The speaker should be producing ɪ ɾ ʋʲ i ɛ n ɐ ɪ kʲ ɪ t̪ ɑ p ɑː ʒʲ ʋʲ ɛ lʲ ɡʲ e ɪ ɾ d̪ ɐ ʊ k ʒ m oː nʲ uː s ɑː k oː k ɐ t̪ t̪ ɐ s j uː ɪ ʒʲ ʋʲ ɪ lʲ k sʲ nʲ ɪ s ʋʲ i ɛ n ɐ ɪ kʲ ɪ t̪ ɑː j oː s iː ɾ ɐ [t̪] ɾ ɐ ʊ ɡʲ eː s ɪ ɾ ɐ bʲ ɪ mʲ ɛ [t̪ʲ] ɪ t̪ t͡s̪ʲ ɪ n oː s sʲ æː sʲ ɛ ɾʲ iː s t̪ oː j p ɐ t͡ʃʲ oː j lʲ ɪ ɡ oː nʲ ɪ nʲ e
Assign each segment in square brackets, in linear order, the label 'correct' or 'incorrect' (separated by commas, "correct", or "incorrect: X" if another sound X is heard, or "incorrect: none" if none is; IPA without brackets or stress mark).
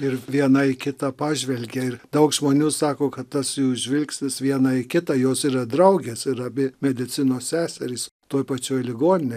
incorrect: d̪, incorrect: d̪ʲ